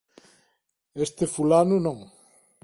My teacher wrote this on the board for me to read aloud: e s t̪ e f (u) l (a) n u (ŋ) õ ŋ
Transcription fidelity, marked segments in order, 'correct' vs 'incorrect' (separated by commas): correct, correct, incorrect